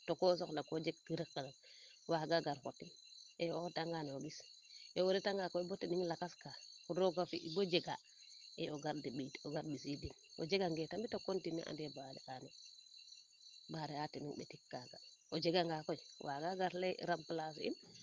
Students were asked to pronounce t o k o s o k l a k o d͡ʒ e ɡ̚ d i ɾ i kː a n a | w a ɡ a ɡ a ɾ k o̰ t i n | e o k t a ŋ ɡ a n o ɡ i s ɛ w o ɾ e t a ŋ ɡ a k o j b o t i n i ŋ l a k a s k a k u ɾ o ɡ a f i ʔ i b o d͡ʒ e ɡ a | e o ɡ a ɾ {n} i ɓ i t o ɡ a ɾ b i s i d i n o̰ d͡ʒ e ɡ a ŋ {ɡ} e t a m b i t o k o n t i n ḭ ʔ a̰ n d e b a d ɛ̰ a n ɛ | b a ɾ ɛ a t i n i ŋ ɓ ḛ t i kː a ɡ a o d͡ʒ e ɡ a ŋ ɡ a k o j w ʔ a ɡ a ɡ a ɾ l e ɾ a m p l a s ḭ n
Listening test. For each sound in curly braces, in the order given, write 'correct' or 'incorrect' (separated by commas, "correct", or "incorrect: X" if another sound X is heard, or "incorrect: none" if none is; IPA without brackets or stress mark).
incorrect: d, correct